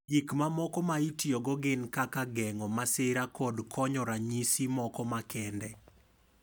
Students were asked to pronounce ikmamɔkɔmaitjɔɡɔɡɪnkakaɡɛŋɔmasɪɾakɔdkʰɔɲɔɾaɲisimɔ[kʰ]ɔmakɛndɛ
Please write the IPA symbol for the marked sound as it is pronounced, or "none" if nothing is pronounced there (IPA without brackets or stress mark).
k